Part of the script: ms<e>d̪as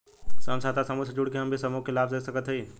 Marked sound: incorrect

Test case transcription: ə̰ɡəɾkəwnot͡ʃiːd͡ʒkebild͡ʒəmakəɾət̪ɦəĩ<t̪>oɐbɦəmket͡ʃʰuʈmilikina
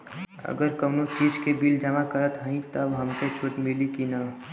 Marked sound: correct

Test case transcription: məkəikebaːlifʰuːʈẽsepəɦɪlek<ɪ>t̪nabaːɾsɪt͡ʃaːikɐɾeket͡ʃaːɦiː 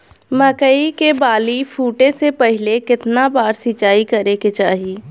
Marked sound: correct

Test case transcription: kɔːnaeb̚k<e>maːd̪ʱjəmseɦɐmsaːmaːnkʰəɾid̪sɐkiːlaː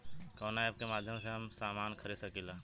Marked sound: correct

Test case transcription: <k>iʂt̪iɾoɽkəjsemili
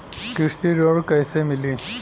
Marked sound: correct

